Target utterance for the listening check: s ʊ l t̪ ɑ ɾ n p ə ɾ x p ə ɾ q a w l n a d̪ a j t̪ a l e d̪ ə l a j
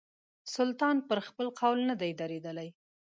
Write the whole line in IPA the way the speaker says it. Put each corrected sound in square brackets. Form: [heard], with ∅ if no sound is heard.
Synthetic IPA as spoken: s ʊ l t̪ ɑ [∅] n p ə ɾ x p ə [l] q a w l n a d̪ a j [d̪] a [ɾ] e d̪ ə l a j